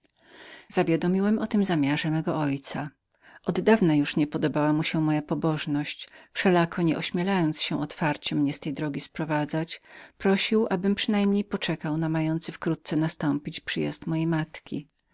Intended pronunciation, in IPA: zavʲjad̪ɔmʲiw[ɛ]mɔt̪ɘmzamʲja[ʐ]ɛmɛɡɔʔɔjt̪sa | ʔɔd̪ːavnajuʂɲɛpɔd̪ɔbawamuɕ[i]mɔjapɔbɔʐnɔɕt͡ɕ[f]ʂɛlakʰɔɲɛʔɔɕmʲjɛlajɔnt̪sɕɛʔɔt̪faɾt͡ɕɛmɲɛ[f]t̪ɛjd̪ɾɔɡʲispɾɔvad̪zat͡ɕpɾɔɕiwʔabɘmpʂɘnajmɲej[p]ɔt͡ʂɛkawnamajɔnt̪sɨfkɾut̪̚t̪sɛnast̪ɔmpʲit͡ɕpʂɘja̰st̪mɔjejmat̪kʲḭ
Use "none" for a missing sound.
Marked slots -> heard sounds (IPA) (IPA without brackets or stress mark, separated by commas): ɛ, ʐ, ɛ, f, s, p